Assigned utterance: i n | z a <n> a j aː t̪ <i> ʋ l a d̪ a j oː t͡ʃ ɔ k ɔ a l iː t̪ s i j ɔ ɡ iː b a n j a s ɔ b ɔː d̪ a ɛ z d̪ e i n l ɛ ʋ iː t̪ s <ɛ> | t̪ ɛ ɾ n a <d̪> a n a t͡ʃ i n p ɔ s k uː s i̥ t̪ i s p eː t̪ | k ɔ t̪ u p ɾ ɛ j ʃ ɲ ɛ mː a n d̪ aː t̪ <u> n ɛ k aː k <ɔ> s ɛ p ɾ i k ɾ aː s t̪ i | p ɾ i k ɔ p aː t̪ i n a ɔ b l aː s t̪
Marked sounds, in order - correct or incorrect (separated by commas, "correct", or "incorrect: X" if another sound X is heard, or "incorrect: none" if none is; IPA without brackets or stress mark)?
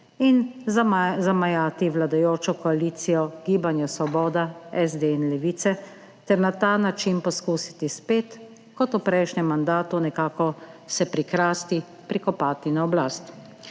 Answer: incorrect: m, correct, correct, incorrect: t̪, correct, correct